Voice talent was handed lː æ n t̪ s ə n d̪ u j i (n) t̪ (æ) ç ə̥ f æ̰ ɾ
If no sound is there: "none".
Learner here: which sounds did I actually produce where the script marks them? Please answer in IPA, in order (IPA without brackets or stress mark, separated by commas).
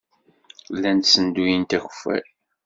n, æ